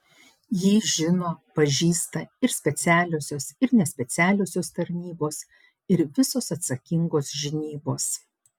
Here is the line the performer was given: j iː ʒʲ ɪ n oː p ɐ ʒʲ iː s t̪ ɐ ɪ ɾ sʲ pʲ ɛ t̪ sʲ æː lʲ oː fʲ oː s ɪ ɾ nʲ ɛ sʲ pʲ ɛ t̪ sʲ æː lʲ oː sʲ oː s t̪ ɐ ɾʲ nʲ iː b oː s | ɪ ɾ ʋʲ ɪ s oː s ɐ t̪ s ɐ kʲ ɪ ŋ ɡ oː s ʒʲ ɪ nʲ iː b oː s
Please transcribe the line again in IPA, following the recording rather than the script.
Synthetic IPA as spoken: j iː ʒʲ ɪ n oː p ɐ ʒʲ iː s t̪ ɐ ɪ ɾ sʲ pʲ ɛ t̪ sʲ æː lʲ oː sʲ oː s ɪ ɾ nʲ ɛ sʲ pʲ ɛ t̪ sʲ æː lʲ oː sʲ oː s t̪ ɐ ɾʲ nʲ iː b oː s | ɪ ɾ ʋʲ ɪ s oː s ɐ t̪ s ɐ kʲ ɪ ŋ ɡ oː s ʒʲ ɪ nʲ iː b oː s